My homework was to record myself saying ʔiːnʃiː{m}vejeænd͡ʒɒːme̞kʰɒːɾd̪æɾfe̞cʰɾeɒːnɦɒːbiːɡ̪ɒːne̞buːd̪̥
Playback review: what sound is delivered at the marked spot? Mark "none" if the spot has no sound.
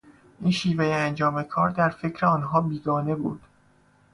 none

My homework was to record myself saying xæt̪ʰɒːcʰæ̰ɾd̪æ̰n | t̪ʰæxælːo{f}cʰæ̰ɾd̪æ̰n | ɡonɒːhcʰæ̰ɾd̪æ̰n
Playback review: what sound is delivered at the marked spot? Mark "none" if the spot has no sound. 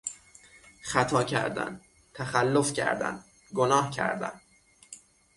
f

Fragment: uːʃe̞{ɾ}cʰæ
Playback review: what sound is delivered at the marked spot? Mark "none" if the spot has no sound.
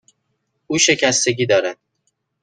none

